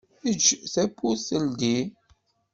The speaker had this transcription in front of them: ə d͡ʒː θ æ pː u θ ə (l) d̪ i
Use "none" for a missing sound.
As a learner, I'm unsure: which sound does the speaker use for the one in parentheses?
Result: l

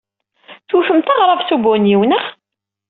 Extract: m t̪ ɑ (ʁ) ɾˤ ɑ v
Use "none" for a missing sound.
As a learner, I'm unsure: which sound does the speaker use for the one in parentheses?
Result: ʁ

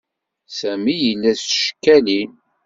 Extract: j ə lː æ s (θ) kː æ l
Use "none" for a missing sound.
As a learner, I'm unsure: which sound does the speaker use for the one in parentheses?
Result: ʃ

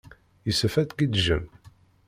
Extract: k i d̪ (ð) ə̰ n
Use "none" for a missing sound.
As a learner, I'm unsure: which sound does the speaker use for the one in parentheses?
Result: ʒ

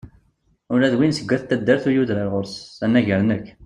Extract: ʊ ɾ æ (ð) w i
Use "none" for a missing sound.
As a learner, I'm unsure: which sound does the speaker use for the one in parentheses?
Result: ð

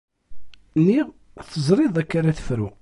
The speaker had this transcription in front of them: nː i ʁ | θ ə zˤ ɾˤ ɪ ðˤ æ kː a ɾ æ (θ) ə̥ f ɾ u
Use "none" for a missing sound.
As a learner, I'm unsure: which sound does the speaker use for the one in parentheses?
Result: θ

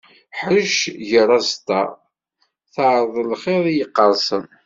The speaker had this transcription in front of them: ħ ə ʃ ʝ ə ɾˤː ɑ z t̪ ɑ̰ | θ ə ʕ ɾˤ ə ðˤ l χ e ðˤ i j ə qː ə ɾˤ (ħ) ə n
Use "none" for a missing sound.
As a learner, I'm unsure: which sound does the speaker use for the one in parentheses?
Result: s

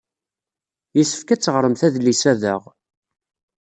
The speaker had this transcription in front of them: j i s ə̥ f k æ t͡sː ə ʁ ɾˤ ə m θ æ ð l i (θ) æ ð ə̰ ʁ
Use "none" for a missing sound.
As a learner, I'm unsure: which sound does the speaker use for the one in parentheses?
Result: s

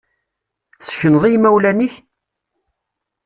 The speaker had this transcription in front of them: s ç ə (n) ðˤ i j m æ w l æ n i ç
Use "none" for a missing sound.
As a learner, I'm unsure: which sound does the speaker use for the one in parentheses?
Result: n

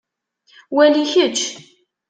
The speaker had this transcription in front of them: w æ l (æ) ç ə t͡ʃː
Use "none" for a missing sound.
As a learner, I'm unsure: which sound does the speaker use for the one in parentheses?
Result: i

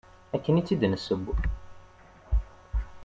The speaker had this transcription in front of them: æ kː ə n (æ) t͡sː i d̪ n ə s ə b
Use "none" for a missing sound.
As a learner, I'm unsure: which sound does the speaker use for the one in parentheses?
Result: i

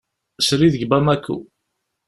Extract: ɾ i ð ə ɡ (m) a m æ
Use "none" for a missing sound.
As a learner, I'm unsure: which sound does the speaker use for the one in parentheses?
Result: b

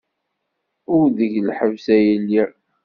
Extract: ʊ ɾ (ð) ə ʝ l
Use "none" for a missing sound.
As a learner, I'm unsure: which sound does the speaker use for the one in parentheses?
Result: ð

